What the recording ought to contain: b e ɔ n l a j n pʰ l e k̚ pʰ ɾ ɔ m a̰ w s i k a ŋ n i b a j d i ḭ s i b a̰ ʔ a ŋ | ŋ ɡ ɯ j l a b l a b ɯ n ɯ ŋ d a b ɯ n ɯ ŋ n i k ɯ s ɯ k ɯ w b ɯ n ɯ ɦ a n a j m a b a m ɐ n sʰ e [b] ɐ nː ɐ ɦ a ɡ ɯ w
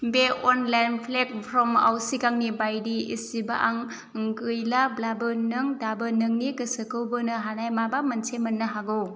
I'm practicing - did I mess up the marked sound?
yes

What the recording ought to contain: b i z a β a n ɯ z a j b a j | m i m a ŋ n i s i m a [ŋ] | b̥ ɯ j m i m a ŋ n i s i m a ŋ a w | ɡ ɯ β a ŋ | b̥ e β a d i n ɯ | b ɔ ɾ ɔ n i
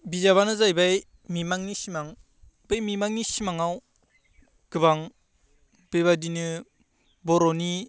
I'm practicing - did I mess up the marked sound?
no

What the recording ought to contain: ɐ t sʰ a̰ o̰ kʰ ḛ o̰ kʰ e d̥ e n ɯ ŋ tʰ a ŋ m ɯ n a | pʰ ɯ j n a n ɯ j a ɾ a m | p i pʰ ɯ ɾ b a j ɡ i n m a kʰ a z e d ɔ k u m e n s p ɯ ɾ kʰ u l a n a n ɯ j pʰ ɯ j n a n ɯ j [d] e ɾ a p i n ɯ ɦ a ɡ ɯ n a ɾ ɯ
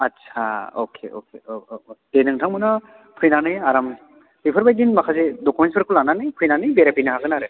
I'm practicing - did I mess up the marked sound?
yes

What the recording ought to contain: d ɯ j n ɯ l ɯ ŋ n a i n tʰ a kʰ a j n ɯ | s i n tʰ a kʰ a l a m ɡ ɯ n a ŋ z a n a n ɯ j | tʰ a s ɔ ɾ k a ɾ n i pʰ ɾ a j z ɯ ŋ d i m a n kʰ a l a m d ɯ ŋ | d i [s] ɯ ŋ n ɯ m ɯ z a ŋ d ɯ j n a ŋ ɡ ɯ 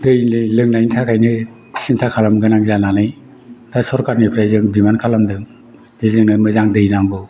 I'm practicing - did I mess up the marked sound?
yes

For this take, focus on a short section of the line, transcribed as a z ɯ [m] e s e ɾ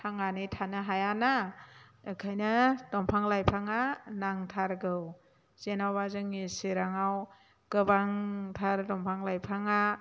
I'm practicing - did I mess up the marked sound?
yes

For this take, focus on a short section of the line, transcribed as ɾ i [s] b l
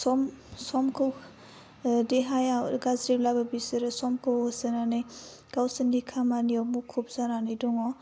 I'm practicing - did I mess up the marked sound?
yes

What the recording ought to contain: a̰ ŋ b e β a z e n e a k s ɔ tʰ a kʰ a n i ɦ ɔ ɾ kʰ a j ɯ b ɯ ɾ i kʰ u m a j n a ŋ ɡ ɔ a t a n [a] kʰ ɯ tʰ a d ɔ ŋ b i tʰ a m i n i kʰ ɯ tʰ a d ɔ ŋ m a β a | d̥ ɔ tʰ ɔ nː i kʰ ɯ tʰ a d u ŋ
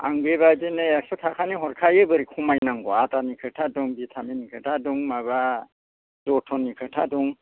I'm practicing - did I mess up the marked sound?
yes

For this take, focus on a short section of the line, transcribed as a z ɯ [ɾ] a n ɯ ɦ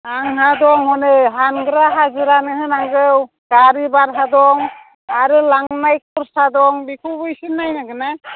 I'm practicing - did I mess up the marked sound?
no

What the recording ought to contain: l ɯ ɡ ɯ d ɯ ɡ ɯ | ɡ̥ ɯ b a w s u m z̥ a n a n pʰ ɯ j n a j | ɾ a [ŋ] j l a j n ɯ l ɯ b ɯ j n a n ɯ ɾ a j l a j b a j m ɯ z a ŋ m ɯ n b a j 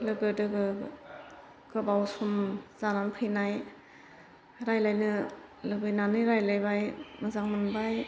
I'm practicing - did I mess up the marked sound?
yes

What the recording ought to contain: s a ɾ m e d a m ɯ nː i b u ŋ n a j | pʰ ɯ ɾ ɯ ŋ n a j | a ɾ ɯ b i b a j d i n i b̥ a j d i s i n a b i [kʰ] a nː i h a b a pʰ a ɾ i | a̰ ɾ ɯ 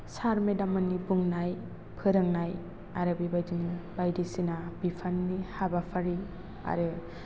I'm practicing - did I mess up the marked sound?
yes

